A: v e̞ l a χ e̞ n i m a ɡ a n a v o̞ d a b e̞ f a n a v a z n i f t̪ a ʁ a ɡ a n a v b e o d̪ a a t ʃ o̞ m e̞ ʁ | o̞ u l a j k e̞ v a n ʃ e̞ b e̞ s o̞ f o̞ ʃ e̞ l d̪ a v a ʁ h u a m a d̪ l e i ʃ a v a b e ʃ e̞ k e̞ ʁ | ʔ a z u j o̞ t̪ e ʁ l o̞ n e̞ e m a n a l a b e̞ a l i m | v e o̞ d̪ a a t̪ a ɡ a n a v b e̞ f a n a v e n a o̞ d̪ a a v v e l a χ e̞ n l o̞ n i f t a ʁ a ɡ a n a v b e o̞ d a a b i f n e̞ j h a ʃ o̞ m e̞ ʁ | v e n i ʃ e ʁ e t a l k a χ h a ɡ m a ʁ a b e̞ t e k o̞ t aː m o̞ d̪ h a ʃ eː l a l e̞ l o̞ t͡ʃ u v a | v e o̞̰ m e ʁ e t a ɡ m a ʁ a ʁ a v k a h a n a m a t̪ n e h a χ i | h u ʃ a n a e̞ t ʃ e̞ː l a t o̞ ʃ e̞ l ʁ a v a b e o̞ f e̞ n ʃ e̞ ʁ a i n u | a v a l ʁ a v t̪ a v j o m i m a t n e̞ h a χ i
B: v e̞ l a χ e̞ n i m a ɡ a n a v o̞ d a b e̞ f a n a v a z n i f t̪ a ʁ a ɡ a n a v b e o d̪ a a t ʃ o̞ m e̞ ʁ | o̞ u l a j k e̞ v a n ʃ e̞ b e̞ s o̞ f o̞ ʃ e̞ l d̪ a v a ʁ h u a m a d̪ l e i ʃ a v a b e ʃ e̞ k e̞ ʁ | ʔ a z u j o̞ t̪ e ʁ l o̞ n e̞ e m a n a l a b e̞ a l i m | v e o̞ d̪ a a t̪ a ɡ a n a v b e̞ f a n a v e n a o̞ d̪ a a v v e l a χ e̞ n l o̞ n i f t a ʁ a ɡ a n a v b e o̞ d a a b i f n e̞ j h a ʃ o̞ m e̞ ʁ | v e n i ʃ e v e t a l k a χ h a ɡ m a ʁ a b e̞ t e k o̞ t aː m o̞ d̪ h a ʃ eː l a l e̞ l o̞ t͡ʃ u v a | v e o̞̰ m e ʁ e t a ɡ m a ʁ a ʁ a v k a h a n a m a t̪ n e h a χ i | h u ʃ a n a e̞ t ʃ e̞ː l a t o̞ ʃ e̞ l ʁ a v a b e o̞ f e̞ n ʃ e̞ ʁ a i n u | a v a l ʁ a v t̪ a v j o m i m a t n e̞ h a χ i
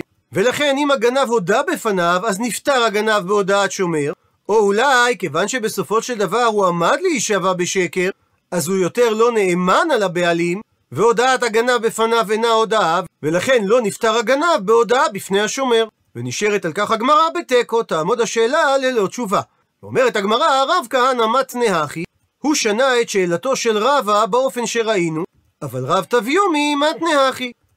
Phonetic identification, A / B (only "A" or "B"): A